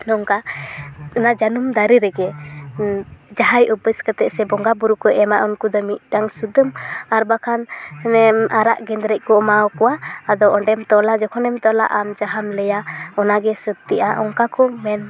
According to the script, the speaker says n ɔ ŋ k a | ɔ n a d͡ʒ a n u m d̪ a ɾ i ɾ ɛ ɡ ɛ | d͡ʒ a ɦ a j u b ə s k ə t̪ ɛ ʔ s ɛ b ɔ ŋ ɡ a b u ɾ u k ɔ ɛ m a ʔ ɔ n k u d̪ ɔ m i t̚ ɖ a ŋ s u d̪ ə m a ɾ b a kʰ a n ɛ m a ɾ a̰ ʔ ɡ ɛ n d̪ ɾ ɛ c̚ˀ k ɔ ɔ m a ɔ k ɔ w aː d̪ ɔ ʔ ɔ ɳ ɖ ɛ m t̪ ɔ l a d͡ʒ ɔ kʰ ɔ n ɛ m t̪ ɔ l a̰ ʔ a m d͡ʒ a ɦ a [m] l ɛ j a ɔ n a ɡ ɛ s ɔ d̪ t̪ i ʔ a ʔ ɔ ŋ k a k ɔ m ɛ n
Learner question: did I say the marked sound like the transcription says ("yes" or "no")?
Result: yes